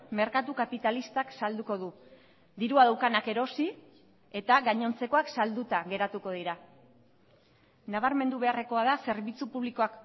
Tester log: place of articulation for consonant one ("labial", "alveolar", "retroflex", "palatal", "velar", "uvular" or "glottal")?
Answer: labial